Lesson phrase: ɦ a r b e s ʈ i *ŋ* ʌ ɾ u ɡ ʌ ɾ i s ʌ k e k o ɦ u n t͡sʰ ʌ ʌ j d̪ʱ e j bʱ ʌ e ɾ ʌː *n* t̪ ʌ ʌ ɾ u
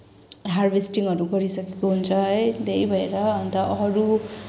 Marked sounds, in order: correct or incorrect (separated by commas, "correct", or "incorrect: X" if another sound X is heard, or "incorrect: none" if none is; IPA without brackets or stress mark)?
correct, correct